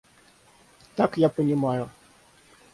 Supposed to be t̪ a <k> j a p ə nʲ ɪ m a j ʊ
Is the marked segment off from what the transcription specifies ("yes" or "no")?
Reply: no